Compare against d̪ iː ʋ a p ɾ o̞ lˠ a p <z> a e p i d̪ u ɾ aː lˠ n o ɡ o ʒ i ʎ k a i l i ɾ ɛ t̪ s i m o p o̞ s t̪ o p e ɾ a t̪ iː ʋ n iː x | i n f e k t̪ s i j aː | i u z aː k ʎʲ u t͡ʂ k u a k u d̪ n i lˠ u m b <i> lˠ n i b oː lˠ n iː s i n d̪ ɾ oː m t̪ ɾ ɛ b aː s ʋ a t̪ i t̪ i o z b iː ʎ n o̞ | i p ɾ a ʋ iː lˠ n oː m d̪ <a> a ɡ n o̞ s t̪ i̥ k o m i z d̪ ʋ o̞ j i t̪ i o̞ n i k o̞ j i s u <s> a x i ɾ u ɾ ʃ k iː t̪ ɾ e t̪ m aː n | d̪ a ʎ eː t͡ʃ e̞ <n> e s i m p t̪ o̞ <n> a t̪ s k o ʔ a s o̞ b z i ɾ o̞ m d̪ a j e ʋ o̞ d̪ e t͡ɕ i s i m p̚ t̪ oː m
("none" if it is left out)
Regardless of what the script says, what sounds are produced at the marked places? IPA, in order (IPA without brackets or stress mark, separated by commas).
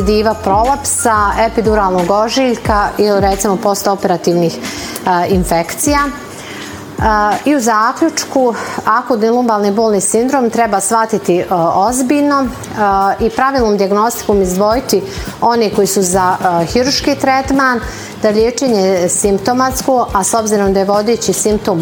s, a, i, z, ɲ, m